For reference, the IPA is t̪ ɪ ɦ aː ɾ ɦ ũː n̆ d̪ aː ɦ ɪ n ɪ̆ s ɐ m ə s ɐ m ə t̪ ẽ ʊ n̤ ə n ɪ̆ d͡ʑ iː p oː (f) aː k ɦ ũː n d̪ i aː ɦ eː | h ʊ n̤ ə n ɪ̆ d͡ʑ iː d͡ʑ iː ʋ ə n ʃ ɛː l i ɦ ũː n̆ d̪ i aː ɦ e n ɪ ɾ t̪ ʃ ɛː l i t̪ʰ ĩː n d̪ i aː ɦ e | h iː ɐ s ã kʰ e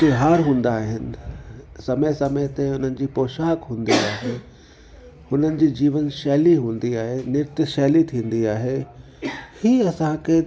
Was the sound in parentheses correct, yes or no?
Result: no